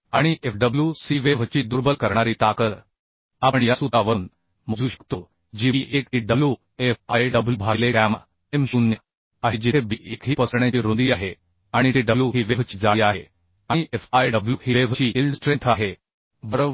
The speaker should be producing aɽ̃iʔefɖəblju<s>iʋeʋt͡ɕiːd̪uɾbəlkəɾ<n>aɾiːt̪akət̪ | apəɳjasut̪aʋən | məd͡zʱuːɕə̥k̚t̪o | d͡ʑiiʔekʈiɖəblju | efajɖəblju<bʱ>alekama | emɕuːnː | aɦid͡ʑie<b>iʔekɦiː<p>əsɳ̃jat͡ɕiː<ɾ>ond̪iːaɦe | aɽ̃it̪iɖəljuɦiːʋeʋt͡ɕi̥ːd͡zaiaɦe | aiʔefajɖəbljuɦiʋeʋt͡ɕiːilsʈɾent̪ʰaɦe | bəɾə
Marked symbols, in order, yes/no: yes, no, yes, yes, yes, yes

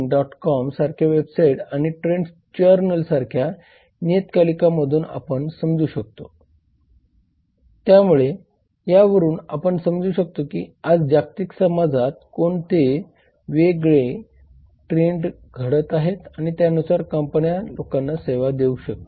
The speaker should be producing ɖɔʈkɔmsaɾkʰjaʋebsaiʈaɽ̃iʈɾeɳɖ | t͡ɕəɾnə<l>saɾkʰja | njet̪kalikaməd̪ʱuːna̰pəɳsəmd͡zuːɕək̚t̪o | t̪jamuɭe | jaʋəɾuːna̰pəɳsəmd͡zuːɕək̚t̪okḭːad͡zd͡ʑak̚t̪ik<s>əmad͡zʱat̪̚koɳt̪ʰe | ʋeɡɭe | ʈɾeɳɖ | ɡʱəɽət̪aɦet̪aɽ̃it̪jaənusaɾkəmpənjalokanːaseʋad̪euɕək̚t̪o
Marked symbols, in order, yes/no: yes, yes

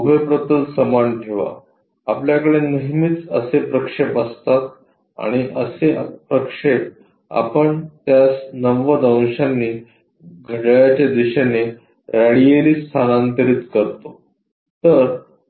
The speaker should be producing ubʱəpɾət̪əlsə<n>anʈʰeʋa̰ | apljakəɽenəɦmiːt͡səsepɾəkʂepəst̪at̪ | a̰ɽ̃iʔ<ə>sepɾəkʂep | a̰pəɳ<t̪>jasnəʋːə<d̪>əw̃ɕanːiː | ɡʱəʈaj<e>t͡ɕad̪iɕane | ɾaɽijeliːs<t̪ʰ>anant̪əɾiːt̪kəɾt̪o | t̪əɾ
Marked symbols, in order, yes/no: no, yes, yes, yes, no, yes

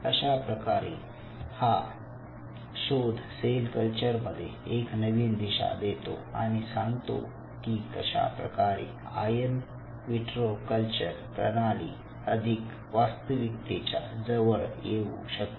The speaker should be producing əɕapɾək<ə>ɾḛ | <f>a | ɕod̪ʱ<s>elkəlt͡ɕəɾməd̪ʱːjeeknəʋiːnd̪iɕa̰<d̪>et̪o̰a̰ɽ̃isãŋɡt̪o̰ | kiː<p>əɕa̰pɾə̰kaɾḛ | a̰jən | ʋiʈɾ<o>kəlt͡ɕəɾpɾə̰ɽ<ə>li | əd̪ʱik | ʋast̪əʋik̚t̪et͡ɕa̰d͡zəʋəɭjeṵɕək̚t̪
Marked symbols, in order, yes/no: no, no, yes, yes, no, yes, no

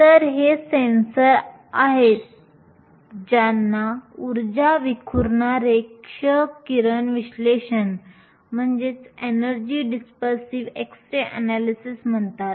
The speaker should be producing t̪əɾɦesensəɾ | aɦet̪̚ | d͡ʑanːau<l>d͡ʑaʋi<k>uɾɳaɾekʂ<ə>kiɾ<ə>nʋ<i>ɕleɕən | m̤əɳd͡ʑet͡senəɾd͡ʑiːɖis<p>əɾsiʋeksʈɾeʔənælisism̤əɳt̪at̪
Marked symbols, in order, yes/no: no, no, yes, yes, yes, yes

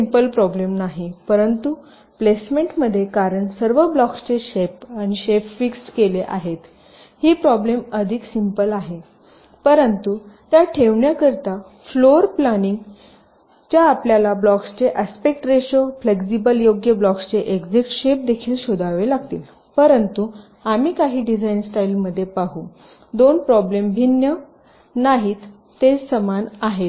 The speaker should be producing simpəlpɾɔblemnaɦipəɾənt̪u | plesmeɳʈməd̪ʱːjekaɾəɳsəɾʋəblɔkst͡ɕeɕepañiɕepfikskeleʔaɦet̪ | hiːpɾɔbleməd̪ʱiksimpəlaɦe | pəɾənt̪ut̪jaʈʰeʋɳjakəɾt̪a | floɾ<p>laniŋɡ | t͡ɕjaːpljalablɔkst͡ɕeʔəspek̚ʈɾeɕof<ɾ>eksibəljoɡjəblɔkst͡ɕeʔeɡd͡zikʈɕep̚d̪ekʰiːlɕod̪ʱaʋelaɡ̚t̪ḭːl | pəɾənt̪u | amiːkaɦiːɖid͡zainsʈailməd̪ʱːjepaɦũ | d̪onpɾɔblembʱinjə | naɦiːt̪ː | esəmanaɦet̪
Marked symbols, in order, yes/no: yes, no

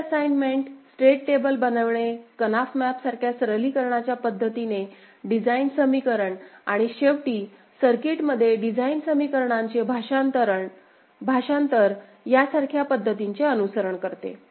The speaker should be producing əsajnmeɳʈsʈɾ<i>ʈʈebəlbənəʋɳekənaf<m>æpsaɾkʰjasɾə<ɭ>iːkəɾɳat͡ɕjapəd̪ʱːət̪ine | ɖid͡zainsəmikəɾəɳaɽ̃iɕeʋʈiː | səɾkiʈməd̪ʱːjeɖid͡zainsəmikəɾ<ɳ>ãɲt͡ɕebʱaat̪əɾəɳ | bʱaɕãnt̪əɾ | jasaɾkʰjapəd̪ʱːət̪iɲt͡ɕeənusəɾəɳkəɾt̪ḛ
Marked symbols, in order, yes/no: no, yes, no, yes

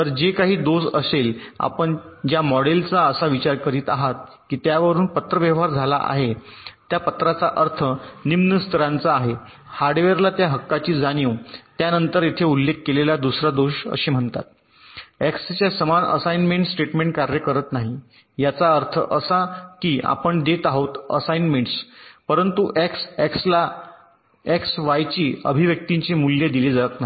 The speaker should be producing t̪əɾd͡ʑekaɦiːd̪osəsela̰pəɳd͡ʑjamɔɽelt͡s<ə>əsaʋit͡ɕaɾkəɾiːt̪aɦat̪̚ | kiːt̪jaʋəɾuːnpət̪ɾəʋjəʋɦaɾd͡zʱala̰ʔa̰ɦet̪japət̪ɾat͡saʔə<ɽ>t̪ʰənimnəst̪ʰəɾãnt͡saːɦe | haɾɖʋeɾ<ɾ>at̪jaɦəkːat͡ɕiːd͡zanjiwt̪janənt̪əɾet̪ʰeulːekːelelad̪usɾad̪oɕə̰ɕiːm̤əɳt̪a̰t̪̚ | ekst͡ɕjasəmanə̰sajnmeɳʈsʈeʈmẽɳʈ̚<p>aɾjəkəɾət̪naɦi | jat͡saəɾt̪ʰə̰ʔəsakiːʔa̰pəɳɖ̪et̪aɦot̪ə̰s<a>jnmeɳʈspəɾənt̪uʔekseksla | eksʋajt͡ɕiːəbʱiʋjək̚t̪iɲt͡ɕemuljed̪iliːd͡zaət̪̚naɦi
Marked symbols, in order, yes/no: no, no, no, no, yes

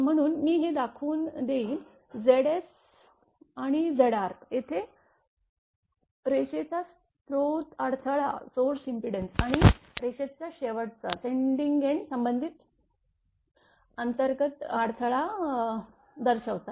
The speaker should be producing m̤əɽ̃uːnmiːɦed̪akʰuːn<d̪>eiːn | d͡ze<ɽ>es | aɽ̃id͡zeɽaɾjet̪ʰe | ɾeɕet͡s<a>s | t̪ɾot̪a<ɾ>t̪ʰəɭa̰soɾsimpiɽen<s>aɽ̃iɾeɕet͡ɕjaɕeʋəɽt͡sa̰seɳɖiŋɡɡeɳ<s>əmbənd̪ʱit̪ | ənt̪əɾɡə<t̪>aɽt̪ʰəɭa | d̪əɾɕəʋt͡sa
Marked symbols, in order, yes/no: yes, yes, yes, no, yes, yes, yes

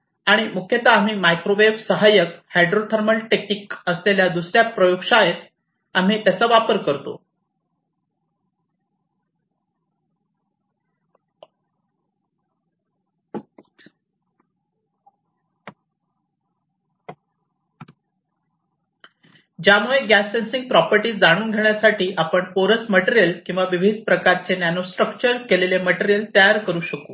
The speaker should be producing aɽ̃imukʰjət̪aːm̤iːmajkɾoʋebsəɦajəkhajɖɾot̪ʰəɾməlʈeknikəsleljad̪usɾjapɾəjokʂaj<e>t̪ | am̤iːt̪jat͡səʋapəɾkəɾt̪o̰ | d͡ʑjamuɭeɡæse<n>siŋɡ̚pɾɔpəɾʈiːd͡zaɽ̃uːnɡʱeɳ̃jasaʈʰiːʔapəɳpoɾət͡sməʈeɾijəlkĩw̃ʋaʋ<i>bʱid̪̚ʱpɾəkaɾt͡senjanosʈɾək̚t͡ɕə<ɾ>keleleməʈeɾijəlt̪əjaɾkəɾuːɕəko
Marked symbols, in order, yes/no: yes, yes, yes, yes

